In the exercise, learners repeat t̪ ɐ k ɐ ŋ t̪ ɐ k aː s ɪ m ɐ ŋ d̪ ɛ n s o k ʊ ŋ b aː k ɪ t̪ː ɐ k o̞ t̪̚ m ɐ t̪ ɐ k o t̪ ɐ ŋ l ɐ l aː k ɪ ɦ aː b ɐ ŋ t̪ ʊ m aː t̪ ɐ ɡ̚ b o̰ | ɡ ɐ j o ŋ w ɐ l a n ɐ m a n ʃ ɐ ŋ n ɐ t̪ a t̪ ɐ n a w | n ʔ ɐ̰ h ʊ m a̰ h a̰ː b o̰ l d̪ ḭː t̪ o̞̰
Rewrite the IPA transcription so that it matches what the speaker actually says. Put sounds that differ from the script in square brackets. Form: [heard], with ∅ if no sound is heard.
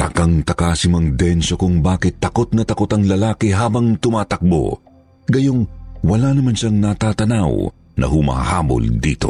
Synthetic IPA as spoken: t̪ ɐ k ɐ ŋ t̪ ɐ k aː s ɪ m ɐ ŋ d̪ ɛ n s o k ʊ ŋ b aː k ɪ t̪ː ɐ k o̞ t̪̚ [n] ɐ t̪ ɐ k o t̪ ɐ ŋ l ɐ l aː k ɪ ɦ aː b ɐ ŋ t̪ ʊ m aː t̪ ɐ [k̚] b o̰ | ɡ ɐ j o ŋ w ɐ l a n ɐ m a n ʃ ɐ ŋ n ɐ t̪ a t̪ ɐ n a w | n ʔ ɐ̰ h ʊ m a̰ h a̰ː b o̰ l d̪ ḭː t̪ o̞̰